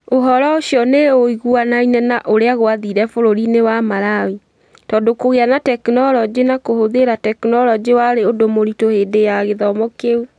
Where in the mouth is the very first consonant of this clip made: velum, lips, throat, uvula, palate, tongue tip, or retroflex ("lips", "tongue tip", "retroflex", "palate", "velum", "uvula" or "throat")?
throat